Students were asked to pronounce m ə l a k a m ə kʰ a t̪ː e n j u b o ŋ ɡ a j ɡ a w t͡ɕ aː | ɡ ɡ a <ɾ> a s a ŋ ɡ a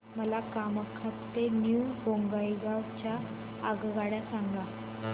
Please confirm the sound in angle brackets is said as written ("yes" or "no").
no